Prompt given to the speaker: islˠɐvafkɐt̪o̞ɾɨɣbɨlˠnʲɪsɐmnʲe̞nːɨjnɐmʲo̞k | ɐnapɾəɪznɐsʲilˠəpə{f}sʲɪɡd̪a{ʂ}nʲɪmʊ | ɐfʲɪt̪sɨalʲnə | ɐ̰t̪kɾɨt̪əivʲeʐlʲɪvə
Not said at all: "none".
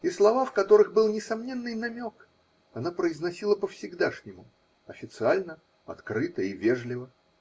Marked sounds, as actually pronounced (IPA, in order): f, ʂ

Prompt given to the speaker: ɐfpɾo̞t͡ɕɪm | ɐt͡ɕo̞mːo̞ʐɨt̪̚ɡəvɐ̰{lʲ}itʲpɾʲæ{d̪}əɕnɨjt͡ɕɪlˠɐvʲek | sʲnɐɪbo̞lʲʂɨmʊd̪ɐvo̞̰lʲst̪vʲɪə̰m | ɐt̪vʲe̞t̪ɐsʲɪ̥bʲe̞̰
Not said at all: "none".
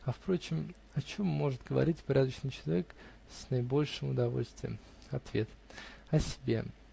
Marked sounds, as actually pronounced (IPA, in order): ɾʲ, d̪

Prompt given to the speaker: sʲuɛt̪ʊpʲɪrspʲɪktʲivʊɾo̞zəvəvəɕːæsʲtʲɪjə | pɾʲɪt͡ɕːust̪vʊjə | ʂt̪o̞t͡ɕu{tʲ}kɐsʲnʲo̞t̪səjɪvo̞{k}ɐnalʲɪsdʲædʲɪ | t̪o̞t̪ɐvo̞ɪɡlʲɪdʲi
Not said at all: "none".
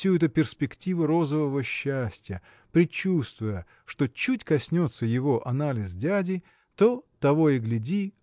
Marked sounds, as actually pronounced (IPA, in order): tʲ, ʔ

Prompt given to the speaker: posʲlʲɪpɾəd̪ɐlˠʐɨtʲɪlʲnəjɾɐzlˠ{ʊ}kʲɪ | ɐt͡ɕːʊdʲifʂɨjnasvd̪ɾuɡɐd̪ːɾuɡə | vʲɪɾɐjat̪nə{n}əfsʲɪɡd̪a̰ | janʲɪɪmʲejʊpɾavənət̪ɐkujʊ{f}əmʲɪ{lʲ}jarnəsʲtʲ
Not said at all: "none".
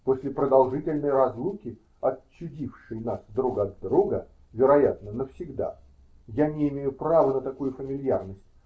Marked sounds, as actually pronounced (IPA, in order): u, n, f, lʲ

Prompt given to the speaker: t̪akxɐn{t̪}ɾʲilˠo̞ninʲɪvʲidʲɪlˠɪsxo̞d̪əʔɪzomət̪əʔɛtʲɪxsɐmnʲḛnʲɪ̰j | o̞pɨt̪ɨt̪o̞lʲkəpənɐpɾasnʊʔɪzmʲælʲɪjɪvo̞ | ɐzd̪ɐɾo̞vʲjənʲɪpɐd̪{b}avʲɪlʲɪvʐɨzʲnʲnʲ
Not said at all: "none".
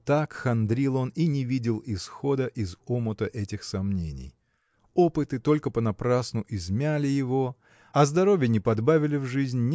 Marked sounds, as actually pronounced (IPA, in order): d̪, b

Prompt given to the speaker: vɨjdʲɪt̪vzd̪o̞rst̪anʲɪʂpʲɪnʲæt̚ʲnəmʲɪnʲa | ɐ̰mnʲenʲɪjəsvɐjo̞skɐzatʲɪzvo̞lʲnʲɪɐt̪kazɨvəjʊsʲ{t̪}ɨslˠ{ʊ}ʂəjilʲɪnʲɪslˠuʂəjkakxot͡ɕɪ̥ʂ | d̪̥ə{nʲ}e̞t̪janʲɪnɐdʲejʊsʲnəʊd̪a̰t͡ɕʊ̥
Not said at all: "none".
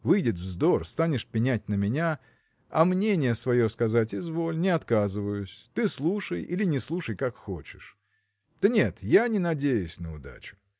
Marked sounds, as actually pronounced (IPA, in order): t̪, u, nʲ

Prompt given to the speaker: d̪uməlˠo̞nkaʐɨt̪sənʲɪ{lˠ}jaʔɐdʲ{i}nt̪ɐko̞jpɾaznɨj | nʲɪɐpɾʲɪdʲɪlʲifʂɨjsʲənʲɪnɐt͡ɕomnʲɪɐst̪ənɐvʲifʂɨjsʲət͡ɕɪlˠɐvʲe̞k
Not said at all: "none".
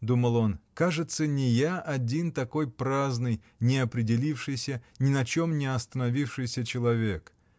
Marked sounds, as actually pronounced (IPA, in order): none, i

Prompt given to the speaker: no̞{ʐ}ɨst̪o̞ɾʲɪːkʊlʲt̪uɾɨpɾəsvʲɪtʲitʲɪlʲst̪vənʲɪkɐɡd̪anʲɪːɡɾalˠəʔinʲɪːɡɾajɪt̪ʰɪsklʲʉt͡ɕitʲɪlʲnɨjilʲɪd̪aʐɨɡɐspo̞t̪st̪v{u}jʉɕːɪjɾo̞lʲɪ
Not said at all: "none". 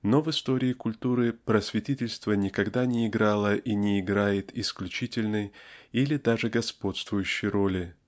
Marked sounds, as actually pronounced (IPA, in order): v, ʊ

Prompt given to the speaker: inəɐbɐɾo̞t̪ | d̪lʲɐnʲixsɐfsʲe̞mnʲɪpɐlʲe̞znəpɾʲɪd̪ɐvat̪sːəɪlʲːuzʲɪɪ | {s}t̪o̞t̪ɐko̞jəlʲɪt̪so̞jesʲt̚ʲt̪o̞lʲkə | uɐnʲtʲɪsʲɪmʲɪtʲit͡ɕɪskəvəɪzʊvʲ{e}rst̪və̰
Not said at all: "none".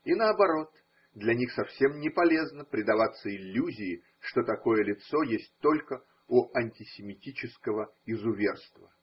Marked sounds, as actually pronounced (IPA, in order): ʂ, e

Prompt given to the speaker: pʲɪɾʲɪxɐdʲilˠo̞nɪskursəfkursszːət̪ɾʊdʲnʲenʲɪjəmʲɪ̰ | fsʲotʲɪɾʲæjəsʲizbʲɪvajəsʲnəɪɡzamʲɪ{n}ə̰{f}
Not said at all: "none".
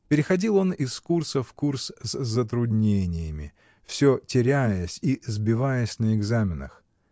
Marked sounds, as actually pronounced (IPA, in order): n, x

